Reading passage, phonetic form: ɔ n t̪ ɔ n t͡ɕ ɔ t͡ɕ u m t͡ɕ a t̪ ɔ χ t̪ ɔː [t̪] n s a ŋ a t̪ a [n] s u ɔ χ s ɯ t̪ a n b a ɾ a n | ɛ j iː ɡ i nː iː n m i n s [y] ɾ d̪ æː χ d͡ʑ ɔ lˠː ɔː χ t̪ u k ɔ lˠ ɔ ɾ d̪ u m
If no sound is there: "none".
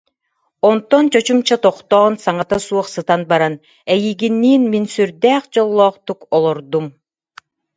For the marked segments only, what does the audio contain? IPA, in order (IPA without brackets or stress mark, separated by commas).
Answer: none, none, y